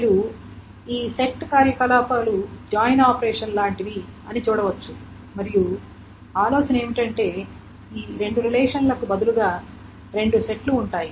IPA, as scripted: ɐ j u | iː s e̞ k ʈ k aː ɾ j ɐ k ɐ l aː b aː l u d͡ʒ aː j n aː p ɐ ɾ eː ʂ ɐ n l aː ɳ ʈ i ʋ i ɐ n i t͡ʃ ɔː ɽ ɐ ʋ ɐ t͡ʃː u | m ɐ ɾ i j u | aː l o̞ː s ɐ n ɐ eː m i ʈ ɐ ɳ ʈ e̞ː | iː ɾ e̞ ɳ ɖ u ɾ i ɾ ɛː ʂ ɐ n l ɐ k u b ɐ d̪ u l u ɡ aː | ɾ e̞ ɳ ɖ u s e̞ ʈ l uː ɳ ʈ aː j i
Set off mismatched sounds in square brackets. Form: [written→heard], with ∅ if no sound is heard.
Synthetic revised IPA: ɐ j u | iː s e̞ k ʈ k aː ɾ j ɐ k ɐ l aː [b→p] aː l u d͡ʒ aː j n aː p ɐ ɾ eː ʂ ɐ n l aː ɳ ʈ i ʋ i ɐ n i t͡ʃ [ɔː→uː] ɽ ɐ ʋ ɐ t͡ʃː u | m ɐ ɾ i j u | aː l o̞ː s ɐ n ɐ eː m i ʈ ɐ ɳ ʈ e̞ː | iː ɾ e̞ ɳ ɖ u ɾ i [ɾ→l] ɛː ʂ ɐ n l ɐ k u b ɐ d̪ u l u ɡ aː | ɾ e̞ ɳ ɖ u s e̞ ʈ l uː ɳ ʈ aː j i